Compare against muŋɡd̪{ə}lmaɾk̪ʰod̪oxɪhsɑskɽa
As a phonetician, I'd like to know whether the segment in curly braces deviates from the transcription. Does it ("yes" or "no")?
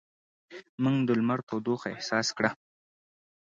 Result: no